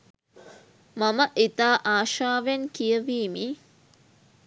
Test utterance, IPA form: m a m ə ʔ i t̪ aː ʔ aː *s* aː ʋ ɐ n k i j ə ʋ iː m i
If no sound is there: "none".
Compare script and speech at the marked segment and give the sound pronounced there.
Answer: ʃ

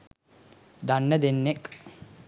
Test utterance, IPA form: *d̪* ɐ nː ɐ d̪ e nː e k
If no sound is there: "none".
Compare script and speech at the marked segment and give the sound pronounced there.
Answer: d̪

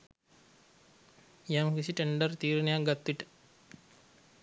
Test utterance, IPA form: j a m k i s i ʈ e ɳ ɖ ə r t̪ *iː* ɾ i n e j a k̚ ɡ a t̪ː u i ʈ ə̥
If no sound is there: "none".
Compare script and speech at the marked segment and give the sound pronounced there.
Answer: iː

